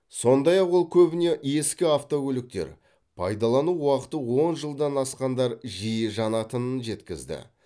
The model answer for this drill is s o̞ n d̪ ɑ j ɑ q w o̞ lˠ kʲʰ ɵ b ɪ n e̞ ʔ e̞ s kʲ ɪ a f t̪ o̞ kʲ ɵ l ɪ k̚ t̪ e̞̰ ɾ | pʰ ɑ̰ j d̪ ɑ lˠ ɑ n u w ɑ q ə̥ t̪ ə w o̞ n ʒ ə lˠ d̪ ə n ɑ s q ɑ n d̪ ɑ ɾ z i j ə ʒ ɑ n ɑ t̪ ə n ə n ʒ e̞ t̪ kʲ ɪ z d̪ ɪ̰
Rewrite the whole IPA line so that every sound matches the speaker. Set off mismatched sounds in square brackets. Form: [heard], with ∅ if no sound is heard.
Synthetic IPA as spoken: s o̞ n d̪ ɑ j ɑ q w o̞ lˠ kʲʰ ɵ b ɪ n e̞ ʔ e̞ s kʲ ɪ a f t̪ o̞ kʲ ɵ l ɪ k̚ t̪ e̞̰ ɾ | pʰ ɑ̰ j d̪ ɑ lˠ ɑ n u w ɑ q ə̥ t̪ ə w o̞ n ʒ ə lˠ d̪ [ɑ] n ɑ s q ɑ n d̪ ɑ ɾ [ʒ] i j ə ʒ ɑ n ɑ t̪ ə n ə n ʒ e̞ t̪ kʲ ɪ z d̪ ɪ̰